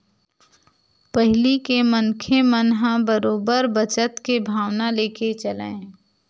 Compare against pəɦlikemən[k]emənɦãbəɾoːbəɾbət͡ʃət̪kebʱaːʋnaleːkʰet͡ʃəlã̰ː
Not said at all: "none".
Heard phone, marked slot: kʰ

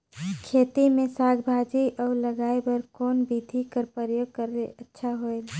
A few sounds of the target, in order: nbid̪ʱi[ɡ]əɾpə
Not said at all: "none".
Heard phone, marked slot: k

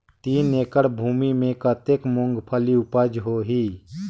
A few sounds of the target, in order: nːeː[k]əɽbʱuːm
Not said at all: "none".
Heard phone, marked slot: k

